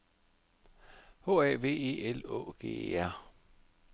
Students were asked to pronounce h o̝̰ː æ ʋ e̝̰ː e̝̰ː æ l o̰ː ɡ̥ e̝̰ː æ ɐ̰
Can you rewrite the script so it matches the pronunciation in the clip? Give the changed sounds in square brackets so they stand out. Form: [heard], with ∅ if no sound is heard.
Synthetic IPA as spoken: h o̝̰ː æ ʋ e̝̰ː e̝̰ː [e] l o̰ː ɡ̥ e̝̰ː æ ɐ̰